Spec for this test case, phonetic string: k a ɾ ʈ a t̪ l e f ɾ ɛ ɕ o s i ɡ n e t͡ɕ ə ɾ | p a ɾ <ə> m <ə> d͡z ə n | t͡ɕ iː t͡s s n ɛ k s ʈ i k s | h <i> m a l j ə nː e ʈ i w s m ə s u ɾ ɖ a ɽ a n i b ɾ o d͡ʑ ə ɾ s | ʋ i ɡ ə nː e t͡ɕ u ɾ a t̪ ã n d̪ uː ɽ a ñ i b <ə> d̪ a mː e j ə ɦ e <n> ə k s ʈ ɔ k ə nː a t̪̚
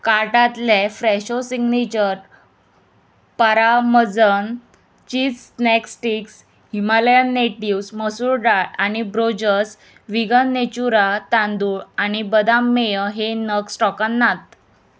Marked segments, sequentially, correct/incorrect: incorrect: a, correct, correct, correct, correct

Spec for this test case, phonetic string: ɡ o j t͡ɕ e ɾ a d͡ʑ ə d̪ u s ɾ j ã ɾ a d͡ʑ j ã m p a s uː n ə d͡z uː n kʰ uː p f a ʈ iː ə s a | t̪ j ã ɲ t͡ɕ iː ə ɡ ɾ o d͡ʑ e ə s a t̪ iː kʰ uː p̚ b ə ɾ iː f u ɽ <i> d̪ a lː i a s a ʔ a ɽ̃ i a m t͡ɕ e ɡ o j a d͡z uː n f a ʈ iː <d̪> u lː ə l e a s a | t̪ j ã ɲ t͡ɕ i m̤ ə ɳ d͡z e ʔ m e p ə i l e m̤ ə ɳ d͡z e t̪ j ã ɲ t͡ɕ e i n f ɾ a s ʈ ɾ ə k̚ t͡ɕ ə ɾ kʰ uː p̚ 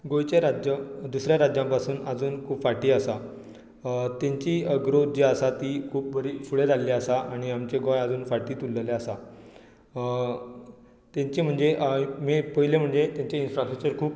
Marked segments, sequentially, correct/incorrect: incorrect: e, incorrect: t̪

